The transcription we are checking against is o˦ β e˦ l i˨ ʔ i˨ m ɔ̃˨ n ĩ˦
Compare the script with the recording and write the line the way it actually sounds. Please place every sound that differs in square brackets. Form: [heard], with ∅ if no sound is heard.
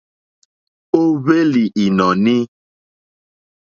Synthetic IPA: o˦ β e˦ l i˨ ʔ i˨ [n] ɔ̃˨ n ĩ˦